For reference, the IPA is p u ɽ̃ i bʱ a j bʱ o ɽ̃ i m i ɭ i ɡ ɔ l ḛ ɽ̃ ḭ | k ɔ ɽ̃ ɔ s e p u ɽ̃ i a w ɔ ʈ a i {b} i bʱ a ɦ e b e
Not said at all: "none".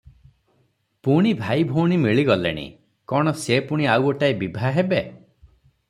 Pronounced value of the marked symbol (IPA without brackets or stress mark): b